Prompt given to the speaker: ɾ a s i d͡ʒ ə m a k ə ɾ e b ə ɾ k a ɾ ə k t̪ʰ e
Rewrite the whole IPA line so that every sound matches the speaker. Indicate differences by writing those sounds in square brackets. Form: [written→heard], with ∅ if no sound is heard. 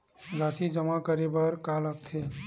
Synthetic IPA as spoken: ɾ a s i d͡ʒ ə m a k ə ɾ e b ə ɾ k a [ɾ→l] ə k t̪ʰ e

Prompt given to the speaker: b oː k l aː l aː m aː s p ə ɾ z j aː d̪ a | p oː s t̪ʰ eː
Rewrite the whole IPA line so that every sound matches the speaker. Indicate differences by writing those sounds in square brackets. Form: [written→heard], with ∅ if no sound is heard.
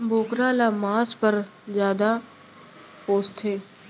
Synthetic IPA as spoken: b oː k [l→ɾ] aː l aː m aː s p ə ɾ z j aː d̪ a | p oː s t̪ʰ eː

